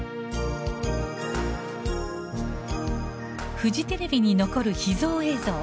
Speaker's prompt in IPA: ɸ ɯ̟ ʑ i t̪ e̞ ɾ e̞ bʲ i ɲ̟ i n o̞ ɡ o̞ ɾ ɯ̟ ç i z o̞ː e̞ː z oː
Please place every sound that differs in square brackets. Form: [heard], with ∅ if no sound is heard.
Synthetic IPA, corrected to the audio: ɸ ɯ̟ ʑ i t̪ e̞ ɾ e̞ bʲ i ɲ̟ i n o̞ [k] o̞ ɾ ɯ̟ ç i z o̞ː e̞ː z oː